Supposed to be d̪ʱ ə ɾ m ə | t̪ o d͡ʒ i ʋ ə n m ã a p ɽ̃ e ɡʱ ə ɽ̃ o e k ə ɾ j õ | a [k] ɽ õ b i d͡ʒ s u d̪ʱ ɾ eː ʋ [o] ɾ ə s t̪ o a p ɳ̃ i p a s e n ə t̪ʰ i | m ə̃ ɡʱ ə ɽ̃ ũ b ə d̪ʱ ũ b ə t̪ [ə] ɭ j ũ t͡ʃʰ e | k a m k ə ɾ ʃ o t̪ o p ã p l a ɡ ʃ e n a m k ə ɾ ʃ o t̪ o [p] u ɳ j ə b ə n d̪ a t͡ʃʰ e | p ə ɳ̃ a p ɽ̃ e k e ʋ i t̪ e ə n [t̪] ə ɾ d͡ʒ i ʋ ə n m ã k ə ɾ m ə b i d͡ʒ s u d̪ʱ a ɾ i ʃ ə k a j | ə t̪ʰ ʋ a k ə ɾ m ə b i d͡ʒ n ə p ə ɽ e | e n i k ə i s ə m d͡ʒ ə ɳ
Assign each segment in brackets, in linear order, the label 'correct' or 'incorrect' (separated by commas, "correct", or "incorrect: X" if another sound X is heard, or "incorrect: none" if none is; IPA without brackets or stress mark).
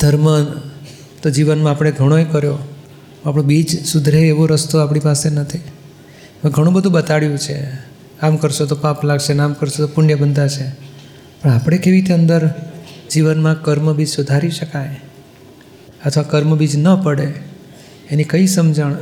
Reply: incorrect: p, correct, incorrect: a, correct, incorrect: d̪